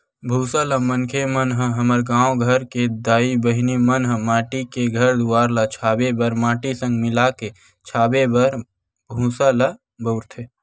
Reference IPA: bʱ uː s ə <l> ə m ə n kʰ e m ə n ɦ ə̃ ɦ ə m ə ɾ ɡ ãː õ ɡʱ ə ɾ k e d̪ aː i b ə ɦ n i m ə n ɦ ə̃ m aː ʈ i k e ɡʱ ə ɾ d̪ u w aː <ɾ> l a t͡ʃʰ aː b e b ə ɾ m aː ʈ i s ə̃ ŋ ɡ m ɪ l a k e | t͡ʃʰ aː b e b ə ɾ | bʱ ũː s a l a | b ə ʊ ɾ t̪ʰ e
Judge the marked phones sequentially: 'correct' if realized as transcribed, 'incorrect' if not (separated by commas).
correct, correct